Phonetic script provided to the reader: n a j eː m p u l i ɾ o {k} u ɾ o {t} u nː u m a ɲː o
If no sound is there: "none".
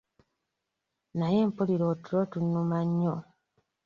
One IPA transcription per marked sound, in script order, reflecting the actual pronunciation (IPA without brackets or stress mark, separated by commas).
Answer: t, t